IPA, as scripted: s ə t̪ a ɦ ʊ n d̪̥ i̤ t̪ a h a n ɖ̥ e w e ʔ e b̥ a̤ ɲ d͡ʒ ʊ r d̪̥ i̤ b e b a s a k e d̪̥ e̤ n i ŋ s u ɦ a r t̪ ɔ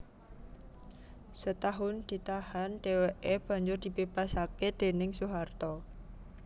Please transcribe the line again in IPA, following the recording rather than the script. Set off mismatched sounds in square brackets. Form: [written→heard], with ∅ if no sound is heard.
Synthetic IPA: s ə t̪ a ɦ ʊ n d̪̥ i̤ t̪ a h a n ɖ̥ e w e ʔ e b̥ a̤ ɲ d͡ʒ ʊ r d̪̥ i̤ b e b a s a k e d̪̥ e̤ n [i→ɪ] ŋ s u ɦ a r t̪ ɔ